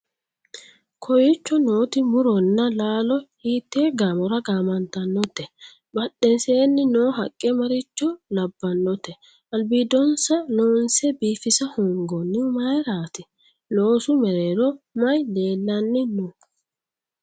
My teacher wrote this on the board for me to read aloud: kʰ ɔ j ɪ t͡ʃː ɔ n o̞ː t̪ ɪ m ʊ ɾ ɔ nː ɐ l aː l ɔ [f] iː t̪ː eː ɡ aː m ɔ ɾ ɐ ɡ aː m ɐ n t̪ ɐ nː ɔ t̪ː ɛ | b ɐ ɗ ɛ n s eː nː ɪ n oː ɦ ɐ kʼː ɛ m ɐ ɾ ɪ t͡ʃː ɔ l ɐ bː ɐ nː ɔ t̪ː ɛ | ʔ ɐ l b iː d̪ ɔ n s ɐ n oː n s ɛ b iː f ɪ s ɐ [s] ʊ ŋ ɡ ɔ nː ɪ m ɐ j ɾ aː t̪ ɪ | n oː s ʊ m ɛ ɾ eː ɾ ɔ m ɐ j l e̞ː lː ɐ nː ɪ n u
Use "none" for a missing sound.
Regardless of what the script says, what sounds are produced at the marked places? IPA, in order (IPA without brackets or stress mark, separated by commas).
h, h